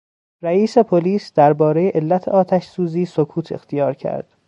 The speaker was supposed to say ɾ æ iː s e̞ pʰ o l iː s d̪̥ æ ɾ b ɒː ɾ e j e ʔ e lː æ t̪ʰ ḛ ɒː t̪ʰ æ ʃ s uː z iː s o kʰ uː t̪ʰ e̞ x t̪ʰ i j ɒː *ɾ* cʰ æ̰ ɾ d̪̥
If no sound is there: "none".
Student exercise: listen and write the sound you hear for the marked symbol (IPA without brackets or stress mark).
ɾ